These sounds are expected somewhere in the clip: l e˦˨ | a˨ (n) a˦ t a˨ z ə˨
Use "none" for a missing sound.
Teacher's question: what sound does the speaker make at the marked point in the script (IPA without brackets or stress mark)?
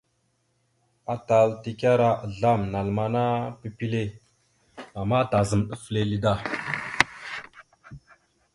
m